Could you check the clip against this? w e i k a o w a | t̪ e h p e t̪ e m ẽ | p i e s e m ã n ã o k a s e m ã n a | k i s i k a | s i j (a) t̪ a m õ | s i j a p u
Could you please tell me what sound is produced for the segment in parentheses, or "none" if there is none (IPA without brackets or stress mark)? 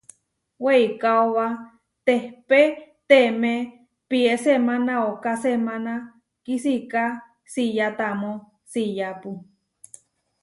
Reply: a